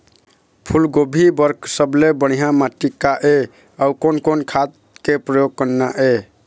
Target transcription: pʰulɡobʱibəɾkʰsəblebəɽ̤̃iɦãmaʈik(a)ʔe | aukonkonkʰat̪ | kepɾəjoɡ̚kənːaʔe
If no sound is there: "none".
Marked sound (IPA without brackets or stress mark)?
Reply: a